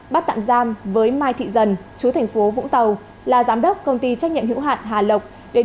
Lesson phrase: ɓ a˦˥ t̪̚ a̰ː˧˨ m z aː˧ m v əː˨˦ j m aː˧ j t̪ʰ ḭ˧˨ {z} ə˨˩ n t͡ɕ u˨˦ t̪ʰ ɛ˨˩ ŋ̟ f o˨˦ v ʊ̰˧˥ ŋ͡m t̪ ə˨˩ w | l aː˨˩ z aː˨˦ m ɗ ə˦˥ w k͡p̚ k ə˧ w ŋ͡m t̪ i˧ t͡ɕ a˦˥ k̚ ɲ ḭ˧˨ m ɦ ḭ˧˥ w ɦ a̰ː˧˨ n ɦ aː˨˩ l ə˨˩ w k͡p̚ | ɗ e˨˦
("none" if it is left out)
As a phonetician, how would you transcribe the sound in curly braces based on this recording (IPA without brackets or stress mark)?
z